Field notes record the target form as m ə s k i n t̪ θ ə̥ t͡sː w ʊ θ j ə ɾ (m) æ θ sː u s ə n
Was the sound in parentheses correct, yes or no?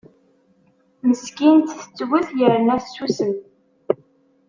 no